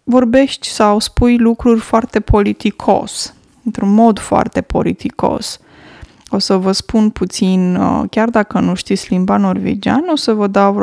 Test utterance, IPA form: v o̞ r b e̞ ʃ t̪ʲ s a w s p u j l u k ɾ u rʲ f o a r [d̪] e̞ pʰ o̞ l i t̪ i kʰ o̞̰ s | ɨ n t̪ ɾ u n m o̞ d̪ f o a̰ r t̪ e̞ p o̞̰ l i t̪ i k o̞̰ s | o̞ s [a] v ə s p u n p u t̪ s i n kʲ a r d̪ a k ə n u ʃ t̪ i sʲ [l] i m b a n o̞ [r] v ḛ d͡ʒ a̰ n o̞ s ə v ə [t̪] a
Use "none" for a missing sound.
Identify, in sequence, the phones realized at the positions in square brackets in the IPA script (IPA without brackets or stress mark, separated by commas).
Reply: t̪, ə, l, r, d̪